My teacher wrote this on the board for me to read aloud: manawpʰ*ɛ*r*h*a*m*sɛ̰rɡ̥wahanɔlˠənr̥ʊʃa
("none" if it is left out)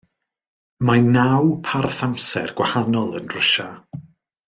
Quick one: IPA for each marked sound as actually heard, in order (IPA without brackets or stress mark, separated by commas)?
a, θ, m